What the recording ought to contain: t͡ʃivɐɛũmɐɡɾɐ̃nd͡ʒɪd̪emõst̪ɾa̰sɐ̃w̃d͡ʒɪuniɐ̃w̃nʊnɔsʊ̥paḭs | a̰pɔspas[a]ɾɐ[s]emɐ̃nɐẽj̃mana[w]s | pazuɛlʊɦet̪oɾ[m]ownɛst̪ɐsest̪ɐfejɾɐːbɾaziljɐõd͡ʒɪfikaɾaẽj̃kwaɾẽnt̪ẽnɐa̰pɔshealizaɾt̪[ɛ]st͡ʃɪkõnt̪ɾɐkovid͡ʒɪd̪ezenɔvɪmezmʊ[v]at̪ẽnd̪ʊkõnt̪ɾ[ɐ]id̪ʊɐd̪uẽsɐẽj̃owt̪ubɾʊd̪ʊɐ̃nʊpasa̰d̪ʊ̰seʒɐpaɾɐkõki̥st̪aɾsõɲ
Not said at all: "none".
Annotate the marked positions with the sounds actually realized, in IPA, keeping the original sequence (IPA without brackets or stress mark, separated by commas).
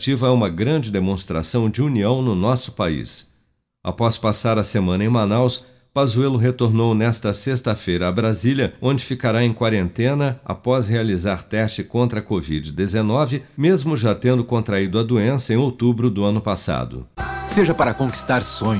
a, s, w, n, ɛ, ʒ, a